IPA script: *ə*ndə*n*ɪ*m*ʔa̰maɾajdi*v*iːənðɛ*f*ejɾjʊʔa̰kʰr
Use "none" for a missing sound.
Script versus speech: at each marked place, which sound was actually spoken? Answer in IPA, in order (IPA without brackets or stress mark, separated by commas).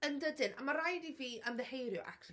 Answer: ə, d, n, v, h